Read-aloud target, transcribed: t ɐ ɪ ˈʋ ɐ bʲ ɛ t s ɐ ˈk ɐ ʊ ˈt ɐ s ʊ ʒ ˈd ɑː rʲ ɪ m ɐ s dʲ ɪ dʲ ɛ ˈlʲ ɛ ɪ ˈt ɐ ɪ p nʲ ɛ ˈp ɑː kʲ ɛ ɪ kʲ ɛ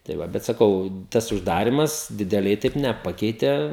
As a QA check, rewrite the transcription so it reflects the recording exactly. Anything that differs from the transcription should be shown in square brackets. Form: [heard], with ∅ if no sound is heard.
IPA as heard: t ɐ ɪ ˈʋ ɐ bʲ ɛ t s ɐ ˈk ɐ ʊ ˈt ɐ s ʊ ʒ ˈd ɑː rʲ ɪ m ɐ s dʲ ɪ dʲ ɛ ˈlʲ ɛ ɪ ˈt ɐ ɪ p nʲ ɛ ˈp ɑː kʲ ɛ ɪ [tʲ] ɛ